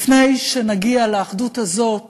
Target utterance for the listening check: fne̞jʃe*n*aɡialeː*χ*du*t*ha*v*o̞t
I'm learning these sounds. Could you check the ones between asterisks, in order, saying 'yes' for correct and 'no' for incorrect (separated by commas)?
yes, yes, yes, no